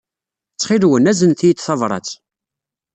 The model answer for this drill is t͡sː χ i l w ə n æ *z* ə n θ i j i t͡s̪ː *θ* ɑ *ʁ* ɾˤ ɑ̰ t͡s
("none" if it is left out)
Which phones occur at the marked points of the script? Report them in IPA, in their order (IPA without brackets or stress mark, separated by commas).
z, θ, v